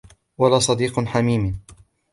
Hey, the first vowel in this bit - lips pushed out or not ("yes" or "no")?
no